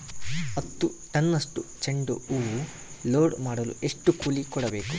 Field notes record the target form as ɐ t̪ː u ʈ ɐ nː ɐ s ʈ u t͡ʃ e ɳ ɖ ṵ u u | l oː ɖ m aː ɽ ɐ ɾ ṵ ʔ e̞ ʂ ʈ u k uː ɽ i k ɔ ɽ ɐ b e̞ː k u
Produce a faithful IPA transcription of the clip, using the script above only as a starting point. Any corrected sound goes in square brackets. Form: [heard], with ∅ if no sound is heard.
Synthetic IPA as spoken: ɐ t̪ː u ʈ ɐ nː ɐ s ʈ u t͡ʃ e ɳ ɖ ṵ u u | l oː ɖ m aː ɽ ɐ [l] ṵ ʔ e̞ ʂ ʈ u k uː [l] i k ɔ ɽ ɐ b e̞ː k u

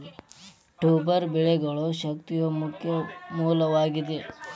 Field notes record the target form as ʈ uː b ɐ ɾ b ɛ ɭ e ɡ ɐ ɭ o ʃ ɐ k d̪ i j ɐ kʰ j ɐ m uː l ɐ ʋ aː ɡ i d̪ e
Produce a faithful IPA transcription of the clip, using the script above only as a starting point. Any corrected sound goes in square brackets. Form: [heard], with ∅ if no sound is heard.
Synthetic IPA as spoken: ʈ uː b ɐ ɾ b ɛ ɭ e ɡ ɐ ɭ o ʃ ɐ k [t̪] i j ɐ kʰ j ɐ m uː l ɐ ʋ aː ɡ i d̪ e

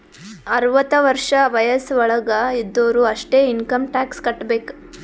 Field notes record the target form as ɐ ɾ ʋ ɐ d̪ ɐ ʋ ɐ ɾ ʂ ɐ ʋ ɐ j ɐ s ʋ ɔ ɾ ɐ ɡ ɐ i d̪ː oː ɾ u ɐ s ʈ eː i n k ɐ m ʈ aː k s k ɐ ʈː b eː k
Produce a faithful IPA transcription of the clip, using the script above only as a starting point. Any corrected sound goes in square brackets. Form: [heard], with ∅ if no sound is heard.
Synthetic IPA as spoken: ɐ ɾ ʋ ɐ [t̪] ɐ ʋ ɐ ɾ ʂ ɐ ʋ ɐ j ɐ s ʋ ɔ [ɭ] ɐ ɡ ɐ i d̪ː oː ɾ u ɐ [ʂ] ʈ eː i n k ɐ m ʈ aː k s k ɐ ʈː b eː k

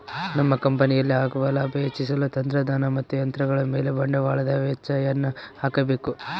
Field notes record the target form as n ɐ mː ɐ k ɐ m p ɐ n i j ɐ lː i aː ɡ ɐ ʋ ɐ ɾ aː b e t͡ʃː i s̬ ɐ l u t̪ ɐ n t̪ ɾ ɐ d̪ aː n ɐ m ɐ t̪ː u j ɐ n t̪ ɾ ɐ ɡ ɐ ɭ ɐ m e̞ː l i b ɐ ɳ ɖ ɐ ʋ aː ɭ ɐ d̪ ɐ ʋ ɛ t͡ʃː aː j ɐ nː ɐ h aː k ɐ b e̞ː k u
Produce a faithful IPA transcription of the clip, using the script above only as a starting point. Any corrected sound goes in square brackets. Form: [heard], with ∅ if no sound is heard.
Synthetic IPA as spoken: n ɐ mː ɐ k ɐ m p ɐ n i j ɐ lː i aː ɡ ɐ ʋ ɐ [l] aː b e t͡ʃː i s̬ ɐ l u t̪ ɐ n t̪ ɾ ɐ d̪ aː n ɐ m ɐ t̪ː u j ɐ n t̪ ɾ ɐ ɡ ɐ ɭ ɐ m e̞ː l [e] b ɐ ɳ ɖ ɐ ʋ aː ɭ ɐ d̪ ɐ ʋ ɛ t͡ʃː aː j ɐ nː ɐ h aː k ɐ b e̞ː k u

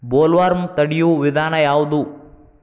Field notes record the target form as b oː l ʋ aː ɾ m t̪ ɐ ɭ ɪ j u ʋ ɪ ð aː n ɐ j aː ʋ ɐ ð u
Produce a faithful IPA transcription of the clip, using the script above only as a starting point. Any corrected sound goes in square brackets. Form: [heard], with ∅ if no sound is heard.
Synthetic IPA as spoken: b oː l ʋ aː ɾ m t̪ ɐ [ɽ] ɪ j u ʋ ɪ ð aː n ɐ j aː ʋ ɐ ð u

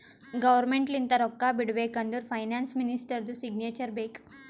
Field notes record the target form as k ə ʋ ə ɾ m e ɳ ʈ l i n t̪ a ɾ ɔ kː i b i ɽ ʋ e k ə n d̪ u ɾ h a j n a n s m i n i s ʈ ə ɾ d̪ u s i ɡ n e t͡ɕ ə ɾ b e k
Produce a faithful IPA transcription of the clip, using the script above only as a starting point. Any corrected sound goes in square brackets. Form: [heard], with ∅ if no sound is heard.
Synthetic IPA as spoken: [ɡ] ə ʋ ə ɾ m e ɳ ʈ l i n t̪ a ɾ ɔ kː [a] b i ɽ ʋ e k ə n d̪ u ɾ [f] a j n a n s m i n i s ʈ ə ɾ d̪ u s i ɡ n e t͡ɕ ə ɾ b e k

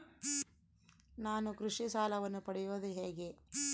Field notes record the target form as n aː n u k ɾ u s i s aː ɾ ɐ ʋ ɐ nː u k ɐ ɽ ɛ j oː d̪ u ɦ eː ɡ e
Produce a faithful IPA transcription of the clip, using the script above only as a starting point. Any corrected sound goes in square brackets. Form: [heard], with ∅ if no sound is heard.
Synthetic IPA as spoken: n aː n u k ɾ u [ʂ] i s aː [l] ɐ ʋ ɐ nː u [p] ɐ ɽ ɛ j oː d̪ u ɦ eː ɡ e

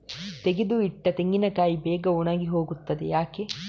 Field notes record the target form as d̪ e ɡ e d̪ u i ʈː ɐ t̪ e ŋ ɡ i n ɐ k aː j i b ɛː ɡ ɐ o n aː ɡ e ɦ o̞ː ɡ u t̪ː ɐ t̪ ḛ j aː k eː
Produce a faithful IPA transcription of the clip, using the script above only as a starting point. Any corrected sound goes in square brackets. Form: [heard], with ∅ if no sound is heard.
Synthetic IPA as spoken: [t̪] e ɡ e d̪ u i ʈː ɐ t̪ e ŋ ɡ i n ɐ k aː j i b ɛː ɡ ɐ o n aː ɡ [i] ɦ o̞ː ɡ u t̪ː ɐ [d̪] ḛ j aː k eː

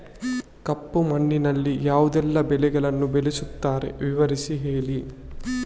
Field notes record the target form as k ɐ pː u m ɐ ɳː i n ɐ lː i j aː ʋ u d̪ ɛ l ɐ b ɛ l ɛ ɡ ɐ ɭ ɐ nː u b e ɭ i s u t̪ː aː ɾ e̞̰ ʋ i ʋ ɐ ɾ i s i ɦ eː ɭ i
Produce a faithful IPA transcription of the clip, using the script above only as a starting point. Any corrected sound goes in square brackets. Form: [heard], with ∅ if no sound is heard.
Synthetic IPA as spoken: k ɐ pː u m ɐ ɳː i n ɐ lː i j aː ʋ u d̪ ɛ [lː] ɐ b ɛ l ɛ ɡ ɐ ɭ ɐ nː u b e [l] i s u t̪ː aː ɾ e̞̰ ʋ i ʋ ɐ ɾ i s i ɦ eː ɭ i

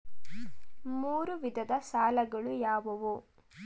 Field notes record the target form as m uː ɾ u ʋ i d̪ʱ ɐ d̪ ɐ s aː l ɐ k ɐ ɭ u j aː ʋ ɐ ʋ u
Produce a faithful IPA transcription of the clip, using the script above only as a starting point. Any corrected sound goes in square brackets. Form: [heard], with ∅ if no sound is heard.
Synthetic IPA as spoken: m uː ɾ u ʋ i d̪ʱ ɐ d̪ ɐ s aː l ɐ [ɡ] ɐ ɭ u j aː ʋ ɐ ʋ u

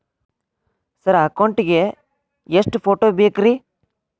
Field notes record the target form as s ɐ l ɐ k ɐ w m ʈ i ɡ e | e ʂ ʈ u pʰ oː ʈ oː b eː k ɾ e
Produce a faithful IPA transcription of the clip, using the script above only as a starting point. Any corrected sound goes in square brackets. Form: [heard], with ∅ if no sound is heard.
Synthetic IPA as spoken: s ɐ [ɾ] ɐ k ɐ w [ɳ] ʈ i ɡ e | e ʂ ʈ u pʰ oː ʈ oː b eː k ɾ [i]

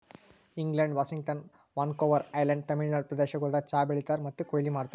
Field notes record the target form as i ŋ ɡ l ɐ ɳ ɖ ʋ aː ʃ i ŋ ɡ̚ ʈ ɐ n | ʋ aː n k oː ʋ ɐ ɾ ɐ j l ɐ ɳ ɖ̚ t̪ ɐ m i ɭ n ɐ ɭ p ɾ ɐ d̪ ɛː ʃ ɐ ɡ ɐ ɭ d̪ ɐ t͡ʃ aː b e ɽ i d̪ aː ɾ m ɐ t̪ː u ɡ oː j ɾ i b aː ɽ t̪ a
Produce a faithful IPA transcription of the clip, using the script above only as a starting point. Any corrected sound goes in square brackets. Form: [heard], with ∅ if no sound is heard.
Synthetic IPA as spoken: i ŋ ɡ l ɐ ɳ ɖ ʋ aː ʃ i ŋ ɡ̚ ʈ ɐ n | ʋ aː n k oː ʋ ɐ ɾ ɐ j l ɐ ɳ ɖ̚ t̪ ɐ m i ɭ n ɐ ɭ p ɾ ɐ d̪ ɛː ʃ ɐ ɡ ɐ ɭ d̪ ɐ t͡ʃ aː b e [ɭ] i [t̪] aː ɾ m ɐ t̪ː u [k] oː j [l] i [m] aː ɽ t̪ a

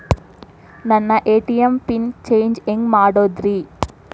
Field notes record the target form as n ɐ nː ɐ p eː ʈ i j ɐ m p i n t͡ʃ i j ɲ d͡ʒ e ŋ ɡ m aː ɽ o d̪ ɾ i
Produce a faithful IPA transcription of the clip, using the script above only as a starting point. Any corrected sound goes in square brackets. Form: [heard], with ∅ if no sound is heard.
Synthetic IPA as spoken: n ɐ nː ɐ [ʔ] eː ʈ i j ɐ m p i n t͡ʃ [e] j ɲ d͡ʒ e ŋ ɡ m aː ɽ o d̪ ɾ i

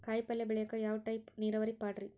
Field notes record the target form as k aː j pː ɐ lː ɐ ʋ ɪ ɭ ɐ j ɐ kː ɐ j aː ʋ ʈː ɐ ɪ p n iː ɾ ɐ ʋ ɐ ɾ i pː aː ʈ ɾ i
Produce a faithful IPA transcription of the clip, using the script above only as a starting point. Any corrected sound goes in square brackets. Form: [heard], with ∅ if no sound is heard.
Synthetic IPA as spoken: k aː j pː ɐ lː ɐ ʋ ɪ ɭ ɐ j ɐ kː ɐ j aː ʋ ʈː ɐ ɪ p n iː ɾ ɐ ʋ ɐ ɾ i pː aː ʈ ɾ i

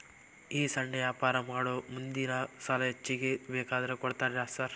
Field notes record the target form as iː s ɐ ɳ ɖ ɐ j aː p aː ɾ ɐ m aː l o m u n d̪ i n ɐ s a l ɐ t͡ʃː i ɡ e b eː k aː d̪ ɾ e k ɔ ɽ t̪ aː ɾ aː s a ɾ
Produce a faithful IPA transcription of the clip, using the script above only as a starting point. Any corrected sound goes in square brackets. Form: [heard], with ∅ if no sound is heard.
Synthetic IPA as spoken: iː s ɐ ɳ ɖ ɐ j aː p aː ɾ ɐ m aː [ɽ] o m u n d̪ i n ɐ s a l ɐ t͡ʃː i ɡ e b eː k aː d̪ ɾ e k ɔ ɽ t̪ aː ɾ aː s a ɾ

